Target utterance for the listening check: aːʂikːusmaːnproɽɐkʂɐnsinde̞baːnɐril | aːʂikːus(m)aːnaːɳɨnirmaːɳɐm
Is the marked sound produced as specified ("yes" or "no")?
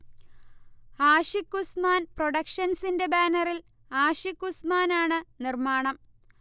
yes